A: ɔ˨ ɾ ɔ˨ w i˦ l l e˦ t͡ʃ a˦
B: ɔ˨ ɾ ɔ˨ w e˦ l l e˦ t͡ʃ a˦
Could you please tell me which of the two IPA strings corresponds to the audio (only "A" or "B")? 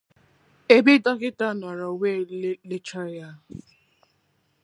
B